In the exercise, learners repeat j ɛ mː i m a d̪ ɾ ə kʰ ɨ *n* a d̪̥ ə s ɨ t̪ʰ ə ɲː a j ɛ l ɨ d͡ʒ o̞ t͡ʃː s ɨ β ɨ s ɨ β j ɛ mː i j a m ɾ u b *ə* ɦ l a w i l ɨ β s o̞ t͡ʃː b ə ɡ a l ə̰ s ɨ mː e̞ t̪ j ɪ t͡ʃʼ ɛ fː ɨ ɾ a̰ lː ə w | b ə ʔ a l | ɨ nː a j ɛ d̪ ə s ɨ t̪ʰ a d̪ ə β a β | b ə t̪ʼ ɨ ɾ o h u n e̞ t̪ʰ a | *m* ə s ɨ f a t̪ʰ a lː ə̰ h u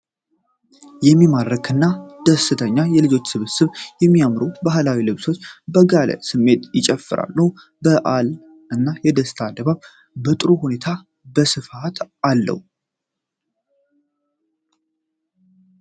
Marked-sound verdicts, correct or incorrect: incorrect: nː, incorrect: a, incorrect: b

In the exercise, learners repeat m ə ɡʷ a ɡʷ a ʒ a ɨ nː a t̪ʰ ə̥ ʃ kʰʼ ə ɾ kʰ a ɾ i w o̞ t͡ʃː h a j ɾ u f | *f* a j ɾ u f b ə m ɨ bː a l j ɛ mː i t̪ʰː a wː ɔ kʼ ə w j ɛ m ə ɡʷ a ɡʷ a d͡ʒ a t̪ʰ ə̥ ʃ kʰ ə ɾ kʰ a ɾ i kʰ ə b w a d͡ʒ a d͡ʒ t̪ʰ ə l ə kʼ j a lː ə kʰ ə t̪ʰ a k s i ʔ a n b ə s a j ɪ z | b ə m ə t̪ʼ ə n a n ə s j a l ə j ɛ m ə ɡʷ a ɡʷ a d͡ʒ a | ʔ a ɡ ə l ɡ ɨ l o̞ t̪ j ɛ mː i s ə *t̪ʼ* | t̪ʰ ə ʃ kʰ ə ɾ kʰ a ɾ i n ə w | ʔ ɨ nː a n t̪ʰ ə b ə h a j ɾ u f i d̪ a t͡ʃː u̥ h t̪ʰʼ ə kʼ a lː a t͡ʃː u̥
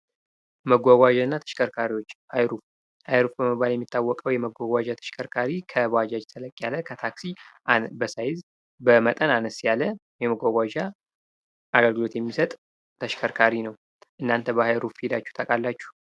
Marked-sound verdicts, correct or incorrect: incorrect: h, correct

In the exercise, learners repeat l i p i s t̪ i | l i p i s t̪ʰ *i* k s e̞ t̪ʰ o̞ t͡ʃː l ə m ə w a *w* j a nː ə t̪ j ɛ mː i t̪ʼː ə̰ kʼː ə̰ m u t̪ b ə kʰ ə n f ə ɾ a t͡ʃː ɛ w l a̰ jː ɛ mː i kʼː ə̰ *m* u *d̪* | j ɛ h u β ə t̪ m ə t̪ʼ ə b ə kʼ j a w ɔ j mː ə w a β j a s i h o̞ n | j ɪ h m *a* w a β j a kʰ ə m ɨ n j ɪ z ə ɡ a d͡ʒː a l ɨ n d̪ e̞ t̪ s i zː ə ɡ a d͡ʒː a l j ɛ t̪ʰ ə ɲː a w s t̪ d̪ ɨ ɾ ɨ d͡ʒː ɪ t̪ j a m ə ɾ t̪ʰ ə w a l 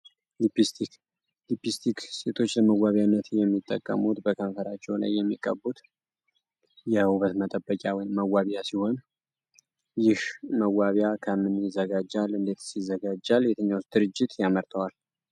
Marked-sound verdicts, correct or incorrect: correct, incorrect: β, incorrect: b, incorrect: t̪, incorrect: ə

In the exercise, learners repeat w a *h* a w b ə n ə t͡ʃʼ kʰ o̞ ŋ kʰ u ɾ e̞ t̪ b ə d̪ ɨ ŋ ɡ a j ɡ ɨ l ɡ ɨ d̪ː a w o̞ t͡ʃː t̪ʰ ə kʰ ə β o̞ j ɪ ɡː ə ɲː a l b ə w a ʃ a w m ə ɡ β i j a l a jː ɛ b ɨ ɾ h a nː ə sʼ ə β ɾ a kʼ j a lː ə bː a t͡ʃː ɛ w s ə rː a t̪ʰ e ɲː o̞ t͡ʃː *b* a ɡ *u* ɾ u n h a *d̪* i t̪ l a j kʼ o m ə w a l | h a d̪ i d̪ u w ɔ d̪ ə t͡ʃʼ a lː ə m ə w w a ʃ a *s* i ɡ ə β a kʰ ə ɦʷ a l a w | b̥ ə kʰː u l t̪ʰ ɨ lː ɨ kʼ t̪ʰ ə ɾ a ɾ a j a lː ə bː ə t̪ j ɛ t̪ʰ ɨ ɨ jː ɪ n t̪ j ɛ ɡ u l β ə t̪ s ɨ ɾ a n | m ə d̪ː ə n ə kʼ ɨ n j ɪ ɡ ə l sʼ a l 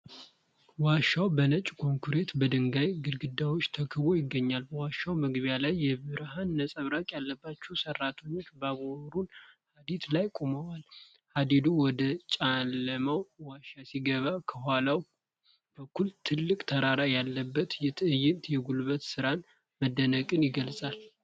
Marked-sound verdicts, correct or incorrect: incorrect: ʃ, correct, incorrect: o, correct, correct

